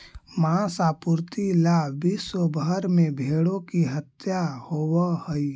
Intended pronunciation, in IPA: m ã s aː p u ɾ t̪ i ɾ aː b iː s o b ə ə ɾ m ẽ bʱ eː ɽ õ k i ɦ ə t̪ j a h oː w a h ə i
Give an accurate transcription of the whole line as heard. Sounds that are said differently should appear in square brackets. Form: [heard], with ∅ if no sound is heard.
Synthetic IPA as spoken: m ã s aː p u ɾ t̪ i [l] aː b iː s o b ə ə ɾ m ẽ bʱ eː ɽ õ k i ɦ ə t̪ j a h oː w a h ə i